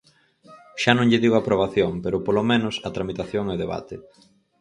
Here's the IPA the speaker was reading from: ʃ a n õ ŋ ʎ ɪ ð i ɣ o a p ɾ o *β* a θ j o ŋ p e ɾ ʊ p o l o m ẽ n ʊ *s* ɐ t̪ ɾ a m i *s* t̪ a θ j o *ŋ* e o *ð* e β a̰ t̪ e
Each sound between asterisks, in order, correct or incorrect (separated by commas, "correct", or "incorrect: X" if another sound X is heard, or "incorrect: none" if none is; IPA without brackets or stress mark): correct, correct, incorrect: none, correct, correct